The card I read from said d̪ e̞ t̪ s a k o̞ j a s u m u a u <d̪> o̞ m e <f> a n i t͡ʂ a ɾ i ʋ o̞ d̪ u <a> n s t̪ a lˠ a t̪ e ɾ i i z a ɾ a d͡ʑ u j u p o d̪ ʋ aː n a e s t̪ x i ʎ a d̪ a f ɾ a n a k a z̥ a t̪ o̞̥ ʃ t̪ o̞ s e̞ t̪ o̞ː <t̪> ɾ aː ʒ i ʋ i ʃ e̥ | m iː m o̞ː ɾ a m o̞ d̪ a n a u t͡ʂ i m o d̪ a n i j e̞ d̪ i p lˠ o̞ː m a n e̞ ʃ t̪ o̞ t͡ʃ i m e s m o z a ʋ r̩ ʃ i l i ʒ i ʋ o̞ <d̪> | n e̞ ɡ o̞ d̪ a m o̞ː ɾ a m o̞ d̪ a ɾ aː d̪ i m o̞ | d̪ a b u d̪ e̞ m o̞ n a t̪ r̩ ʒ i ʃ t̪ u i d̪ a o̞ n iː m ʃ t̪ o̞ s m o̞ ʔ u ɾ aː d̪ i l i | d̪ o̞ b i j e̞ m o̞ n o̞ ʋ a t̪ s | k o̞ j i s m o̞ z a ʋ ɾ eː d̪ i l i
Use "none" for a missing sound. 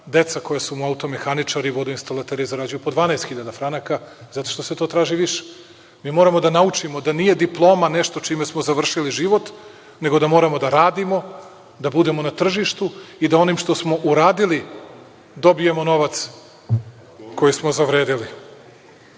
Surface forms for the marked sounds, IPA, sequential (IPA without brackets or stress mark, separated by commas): t̪, x, i, t̪, t̪